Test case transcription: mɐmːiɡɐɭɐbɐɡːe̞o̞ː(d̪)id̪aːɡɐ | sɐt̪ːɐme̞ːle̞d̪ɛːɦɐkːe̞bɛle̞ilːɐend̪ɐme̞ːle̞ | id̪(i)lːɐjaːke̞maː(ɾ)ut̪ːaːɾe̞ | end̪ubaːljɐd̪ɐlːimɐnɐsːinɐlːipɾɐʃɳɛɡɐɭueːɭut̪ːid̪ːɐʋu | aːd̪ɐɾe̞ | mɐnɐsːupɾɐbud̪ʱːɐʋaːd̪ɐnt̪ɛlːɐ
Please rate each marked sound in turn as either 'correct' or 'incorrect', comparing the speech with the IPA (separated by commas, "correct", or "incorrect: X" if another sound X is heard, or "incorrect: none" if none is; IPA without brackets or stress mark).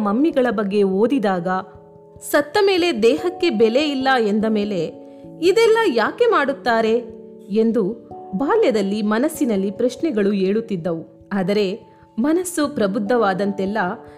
correct, incorrect: ɛ, incorrect: ɽ